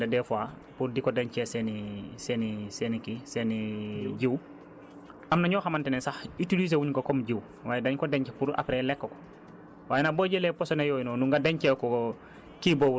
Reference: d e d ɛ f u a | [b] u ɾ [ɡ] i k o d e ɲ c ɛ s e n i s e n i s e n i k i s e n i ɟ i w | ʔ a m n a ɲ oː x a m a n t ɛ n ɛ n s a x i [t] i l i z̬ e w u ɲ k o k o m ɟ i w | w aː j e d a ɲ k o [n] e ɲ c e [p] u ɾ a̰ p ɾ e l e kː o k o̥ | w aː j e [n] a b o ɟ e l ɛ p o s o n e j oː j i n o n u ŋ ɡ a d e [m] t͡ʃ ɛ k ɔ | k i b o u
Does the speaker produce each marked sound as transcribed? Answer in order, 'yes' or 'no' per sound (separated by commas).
no, no, yes, no, yes, yes, no